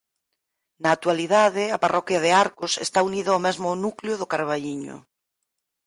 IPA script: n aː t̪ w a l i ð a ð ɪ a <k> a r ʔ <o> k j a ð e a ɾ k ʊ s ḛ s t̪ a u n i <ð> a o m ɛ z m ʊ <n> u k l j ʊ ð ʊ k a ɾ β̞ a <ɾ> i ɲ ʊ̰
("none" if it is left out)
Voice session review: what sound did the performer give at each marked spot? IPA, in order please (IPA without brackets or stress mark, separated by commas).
p, ɔ, ð, n, ʎ